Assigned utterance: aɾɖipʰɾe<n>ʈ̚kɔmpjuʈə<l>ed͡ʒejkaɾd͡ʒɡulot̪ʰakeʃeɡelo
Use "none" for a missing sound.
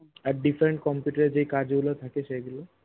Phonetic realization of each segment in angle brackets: ɳ, ɾ

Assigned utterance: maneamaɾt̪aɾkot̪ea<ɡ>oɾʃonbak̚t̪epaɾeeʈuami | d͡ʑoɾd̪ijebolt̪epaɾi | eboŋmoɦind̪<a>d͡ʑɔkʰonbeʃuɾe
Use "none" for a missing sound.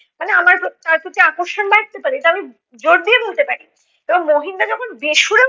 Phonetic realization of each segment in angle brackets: k, a

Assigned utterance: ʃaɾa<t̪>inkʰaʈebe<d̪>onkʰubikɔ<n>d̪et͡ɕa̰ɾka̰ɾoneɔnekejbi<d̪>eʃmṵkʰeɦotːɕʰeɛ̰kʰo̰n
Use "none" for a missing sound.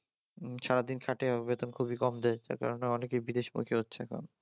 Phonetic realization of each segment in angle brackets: d̪, t̪, m, d̪

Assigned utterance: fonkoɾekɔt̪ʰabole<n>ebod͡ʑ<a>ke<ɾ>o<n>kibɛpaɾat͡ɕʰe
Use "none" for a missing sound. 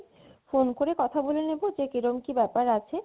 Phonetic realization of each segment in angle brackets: n, e, ɾ, m

